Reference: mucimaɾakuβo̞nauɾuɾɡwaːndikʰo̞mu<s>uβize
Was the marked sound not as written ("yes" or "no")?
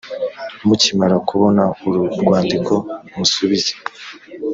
no